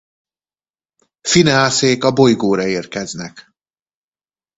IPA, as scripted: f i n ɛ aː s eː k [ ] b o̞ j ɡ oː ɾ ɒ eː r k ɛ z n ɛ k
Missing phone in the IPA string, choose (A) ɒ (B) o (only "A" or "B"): A